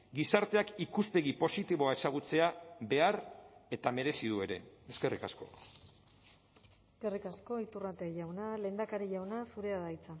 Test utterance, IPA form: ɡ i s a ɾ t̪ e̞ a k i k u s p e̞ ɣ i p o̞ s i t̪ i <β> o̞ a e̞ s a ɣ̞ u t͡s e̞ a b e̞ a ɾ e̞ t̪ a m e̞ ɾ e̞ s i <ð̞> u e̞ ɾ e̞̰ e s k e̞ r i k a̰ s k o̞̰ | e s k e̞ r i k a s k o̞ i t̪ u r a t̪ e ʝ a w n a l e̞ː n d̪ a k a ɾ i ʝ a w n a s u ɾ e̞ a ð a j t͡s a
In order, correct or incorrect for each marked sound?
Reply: correct, correct

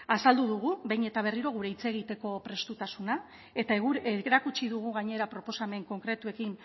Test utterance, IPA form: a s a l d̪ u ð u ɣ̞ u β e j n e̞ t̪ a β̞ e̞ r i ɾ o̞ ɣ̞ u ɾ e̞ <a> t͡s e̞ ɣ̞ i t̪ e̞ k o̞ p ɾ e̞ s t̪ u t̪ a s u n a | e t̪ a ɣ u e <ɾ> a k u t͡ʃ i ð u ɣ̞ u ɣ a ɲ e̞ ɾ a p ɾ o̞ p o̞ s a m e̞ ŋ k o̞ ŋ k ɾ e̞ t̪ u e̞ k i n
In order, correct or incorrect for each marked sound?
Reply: incorrect, correct

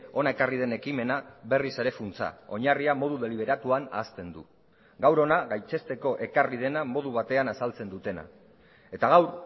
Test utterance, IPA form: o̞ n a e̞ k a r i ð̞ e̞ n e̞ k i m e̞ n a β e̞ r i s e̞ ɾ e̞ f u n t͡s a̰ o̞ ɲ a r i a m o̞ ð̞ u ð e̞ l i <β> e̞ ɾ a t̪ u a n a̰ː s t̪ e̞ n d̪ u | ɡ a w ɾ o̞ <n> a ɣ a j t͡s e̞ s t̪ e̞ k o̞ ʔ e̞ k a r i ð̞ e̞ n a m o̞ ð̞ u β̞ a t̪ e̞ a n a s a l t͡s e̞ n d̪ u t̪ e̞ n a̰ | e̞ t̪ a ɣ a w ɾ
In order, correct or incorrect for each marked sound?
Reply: correct, correct

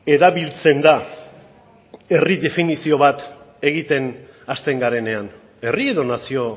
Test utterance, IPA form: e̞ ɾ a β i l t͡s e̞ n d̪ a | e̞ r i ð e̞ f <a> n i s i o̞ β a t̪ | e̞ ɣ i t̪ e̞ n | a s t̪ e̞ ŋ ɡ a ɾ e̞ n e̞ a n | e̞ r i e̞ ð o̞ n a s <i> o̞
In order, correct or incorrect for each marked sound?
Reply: incorrect, correct

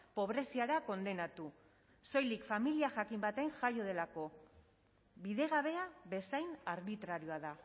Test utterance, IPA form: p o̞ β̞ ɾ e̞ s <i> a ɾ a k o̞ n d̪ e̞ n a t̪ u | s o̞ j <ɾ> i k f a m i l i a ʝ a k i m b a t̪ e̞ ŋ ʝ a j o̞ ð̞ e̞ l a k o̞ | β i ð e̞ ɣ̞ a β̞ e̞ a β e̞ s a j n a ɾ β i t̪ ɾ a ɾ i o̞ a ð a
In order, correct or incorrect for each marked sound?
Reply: correct, incorrect

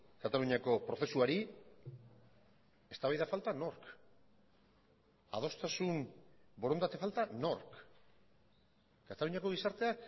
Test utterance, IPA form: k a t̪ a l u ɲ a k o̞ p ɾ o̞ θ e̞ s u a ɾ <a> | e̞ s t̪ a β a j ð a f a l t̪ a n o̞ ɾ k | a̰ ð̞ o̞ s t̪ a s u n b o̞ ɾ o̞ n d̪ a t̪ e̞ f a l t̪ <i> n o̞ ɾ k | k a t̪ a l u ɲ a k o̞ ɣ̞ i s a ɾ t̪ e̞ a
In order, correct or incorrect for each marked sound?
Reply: incorrect, incorrect

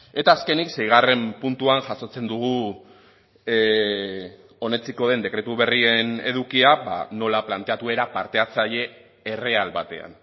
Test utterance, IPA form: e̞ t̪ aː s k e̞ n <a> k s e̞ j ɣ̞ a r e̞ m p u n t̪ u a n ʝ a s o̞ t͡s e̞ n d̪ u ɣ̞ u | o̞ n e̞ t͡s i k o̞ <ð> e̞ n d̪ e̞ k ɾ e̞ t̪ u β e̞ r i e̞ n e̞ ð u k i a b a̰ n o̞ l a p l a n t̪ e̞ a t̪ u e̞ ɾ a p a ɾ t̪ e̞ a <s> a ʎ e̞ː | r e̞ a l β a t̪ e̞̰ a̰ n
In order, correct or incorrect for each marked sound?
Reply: incorrect, correct, incorrect

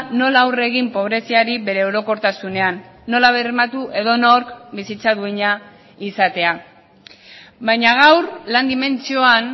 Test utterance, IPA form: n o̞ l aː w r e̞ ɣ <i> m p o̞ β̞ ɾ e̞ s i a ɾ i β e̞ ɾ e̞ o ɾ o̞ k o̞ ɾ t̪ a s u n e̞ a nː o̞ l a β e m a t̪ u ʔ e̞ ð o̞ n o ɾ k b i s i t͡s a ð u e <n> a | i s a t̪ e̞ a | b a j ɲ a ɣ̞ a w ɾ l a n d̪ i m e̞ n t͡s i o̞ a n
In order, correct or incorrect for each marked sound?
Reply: correct, incorrect

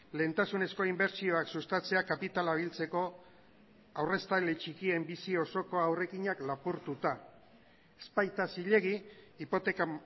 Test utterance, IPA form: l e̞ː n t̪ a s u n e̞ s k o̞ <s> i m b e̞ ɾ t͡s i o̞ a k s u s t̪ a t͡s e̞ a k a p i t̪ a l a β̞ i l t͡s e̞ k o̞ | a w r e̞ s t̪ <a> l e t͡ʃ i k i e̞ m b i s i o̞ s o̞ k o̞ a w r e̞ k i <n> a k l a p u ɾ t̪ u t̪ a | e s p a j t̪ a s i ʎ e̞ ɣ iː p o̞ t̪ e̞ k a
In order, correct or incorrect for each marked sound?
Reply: incorrect, correct, incorrect

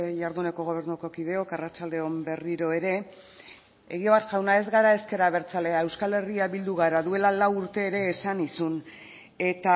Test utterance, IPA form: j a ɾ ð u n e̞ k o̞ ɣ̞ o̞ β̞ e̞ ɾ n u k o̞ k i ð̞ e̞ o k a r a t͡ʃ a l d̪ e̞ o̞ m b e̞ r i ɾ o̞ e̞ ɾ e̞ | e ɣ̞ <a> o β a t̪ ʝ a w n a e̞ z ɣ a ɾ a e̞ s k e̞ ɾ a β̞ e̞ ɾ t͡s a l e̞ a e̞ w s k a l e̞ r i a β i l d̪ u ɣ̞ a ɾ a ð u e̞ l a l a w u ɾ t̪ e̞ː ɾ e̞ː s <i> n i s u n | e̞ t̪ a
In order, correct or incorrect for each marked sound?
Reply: incorrect, incorrect

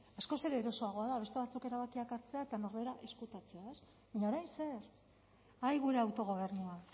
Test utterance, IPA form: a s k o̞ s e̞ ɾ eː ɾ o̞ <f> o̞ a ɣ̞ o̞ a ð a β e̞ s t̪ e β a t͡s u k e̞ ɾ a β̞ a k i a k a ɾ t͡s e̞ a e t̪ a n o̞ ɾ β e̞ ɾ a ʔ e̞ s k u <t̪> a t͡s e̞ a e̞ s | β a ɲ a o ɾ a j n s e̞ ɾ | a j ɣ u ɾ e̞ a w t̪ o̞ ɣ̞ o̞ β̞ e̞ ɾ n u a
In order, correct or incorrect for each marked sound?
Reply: incorrect, correct

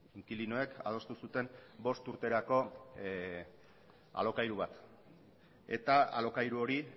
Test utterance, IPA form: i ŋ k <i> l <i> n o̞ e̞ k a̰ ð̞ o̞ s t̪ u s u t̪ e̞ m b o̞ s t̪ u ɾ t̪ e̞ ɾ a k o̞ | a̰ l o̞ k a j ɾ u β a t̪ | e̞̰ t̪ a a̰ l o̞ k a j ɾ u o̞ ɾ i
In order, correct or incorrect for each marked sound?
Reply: correct, correct

